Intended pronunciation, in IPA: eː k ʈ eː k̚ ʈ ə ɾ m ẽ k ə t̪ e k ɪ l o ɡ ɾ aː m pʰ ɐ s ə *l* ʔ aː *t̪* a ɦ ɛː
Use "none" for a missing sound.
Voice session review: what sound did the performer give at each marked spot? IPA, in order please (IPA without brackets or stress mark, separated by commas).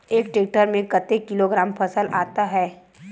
l, t̪